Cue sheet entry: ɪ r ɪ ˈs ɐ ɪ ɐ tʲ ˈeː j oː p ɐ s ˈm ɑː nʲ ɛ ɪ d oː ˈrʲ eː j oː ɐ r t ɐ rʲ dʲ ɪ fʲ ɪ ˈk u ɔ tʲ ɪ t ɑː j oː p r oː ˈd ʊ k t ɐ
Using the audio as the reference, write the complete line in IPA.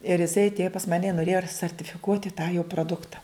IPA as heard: ɪ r ɪ ˈs ɐ ɪ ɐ tʲ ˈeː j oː p ɐ s ˈm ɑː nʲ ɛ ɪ n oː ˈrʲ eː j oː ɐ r s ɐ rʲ tʲ ɪ fʲ ɪ ˈk u ɔ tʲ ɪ t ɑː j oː p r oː ˈd ʊ k t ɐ